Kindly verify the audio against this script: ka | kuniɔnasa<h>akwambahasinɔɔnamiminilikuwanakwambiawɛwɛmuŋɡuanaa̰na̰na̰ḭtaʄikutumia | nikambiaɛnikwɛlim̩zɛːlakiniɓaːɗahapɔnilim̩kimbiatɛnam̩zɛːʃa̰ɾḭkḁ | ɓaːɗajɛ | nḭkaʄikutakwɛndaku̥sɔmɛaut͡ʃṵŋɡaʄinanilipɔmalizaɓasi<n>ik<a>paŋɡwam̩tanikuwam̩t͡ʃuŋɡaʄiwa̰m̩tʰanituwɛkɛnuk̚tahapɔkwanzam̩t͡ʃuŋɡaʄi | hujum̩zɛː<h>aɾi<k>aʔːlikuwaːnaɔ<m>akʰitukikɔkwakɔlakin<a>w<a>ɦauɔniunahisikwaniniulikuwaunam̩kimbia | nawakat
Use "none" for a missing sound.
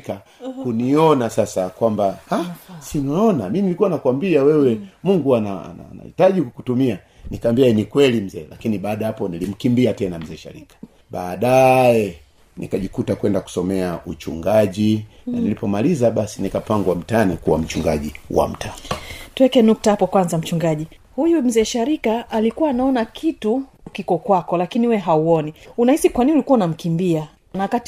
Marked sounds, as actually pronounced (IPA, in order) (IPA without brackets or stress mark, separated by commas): s, n, a, ʃ, k, n, i, ɛ